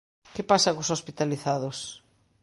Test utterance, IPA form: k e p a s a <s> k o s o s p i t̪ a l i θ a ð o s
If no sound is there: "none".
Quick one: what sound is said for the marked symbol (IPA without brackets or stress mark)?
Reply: none